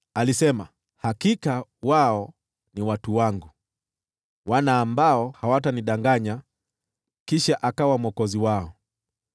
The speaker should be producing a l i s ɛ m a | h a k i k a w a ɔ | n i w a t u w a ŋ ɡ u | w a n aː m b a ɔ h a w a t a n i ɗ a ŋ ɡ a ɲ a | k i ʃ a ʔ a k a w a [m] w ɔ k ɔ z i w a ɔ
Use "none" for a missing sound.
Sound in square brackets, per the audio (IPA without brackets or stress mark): m